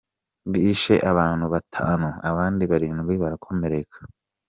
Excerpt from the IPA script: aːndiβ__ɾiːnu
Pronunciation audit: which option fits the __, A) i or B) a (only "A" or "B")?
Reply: B